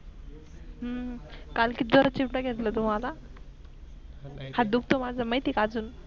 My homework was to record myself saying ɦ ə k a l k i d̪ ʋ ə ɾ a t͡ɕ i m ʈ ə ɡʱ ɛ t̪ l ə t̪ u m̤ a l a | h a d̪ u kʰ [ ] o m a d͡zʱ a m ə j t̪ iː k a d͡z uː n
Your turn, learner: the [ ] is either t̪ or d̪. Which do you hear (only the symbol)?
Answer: t̪